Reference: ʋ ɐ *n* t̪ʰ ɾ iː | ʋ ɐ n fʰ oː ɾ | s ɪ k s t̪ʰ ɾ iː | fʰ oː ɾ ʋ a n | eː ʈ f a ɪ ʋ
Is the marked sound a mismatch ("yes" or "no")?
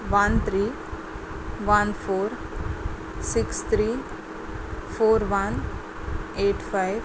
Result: no